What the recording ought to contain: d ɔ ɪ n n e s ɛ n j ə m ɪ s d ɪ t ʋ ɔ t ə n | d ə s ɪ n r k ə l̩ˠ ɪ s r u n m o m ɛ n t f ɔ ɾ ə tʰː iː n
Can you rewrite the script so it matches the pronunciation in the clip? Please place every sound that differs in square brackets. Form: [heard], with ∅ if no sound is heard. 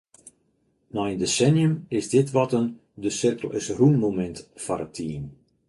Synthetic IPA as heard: [n] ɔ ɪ n [d] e s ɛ n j ə m ɪ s d ɪ t ʋ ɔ t ə n | d ə s ɪ [∅] r k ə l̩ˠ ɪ s r u n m o m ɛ n t f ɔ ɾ ə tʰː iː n